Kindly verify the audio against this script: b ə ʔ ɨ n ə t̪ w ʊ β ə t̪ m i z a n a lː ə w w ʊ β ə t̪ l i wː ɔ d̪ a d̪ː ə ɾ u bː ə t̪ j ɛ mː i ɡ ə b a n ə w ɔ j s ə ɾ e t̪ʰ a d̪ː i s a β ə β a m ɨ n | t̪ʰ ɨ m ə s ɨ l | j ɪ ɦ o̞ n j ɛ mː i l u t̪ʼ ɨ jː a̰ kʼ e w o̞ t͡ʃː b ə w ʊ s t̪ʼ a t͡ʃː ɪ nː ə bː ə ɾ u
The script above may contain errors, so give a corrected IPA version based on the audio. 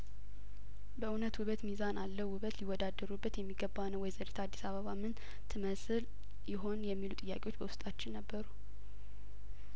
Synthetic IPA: b ə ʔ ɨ n ə t̪ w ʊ β ə t̪ m i z a n a lː ə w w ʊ β ə t̪ l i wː ɔ d̪ a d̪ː ə ɾ u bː ə t̪ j ɛ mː i ɡ ə b a n ə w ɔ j z ə ɾ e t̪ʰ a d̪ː i s a β ə β a m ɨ n | t̪ʰ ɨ m ə s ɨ l | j ɪ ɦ o̞ n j ɛ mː i l u t̪ʼ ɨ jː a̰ kʼ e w o̞ t͡ʃː b ə w ʊ s t̪ʼ a t͡ʃː ɪ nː ə bː ə ɾ u

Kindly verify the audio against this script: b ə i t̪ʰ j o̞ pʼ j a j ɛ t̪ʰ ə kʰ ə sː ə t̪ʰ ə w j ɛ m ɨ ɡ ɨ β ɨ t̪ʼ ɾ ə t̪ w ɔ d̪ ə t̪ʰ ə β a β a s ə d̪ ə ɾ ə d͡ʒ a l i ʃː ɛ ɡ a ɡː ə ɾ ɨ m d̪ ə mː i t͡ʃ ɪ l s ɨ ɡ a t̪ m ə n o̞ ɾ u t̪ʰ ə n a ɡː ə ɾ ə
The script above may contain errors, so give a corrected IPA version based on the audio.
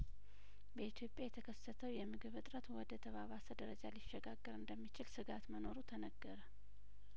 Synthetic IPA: b ə i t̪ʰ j o̞ pʼ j a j ɛ t̪ʰ ə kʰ ə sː ə t̪ʰ ə w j ɛ m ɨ ɡ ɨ β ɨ t̪ʼ ɾ ə t̪ w ɔ d̪ ə t̪ʰ ə β a β a s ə d̪ ə ɾ ə d͡ʒ a l i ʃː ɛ ɡ a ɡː ə ɾ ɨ n d̪ ə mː i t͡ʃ ɪ l s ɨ ɡ a t̪ m ə n o̞ ɾ u t̪ʰ ə n ə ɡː ə ɾ ə

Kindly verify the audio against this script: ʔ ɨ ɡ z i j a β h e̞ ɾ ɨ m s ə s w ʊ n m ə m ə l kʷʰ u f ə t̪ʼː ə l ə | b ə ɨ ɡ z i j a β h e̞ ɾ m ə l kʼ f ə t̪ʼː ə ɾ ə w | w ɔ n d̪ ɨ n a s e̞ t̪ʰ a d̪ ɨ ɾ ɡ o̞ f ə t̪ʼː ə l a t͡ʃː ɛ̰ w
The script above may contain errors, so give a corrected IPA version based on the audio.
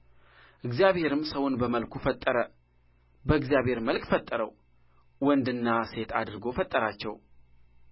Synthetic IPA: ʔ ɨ ɡ z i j a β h e̞ ɾ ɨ m s ə w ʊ n b ə m ə l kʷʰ u f ə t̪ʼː ə ɾ ə | b ə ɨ ɡ z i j a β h e̞ ɾ m ə l kʼ f ə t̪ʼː ə ɾ ə w | w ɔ n d̪ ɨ nː a s e̞ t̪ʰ a d̪ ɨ ɾ ɡ o̞ f ə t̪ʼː ə ɾ a t͡ʃː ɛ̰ w

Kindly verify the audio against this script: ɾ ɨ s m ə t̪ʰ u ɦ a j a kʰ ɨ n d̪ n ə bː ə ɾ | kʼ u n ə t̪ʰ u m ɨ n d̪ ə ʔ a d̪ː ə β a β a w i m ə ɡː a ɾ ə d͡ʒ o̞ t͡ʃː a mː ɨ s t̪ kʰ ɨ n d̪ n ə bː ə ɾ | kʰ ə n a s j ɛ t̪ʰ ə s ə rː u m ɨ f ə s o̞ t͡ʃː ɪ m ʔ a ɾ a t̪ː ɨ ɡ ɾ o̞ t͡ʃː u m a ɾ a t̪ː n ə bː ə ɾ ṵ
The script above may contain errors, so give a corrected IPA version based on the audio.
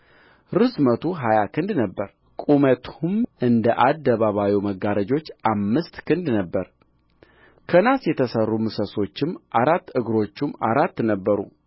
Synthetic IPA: ɾ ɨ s m ə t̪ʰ u ɦ a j a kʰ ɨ n d̪ n ə bː ə ɾ | kʼ u m ə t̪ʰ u m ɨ n d̪ ə ʔ a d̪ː ə β a β a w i m ə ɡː a ɾ ə d͡ʒ o̞ t͡ʃː a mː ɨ s t̪ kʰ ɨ n d̪ n ə bː ə ɾ | kʰ ə n a s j ɛ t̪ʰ ə s ə rː u m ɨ s ə s o̞ t͡ʃː ɪ m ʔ a ɾ a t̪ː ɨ ɡ ɾ o̞ t͡ʃː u m a ɾ a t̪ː n ə bː ə ɾ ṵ

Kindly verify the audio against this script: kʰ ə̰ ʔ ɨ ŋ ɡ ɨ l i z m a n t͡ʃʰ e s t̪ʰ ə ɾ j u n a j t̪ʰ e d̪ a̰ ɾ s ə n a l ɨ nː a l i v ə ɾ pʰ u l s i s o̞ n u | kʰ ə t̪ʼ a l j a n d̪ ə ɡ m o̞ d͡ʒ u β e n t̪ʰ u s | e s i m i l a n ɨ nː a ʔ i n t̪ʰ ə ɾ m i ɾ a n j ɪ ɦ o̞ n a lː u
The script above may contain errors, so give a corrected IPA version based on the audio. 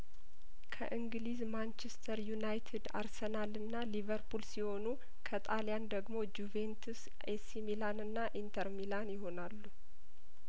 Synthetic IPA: kʰ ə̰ ʔ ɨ ŋ ɡ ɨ l i z m a n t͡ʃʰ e s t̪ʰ ə ɾ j u n a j t̪ʰ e d̪ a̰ ɾ s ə n a l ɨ nː a l i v ə ɾ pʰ u l s i h o̞ n u | kʰ ə t̪ʼ a l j a n d̪ ə ɡ m o̞ d͡ʒ u v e n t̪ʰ u s | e s i m i l a n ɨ nː a ʔ i n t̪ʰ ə ɾ m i l a n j ɪ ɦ o̞ n a lː u

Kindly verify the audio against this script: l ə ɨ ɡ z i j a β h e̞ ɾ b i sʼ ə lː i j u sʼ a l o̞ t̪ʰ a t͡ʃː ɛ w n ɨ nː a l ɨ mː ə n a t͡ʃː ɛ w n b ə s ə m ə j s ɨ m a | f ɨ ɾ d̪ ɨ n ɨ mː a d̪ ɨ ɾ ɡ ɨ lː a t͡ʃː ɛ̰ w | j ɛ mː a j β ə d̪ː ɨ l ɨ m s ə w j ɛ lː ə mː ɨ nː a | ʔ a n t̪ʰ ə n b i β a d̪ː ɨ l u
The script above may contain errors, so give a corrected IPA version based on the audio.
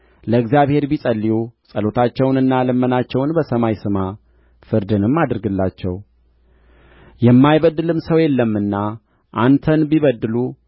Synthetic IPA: l ə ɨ ɡ z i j a β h e̞ ɾ b i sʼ ə lː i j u sʼ ə l o̞ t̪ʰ a t͡ʃː ɛ w n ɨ nː a l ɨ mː ə n a t͡ʃː ɛ w n b ə s ə m a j s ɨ m a | f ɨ ɾ d̪ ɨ n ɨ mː a d̪ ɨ ɾ ɡ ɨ lː a t͡ʃː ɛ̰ w | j ɛ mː a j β ə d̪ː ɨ l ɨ m s ə w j ɛ lː ə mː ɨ nː a | ʔ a n t̪ʰ ə n b i β ə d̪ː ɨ l u

